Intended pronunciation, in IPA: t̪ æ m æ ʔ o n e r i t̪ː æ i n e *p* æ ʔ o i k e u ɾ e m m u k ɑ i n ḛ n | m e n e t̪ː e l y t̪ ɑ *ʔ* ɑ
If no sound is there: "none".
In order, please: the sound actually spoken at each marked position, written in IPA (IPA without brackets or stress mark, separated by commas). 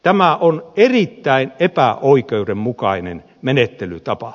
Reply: p, p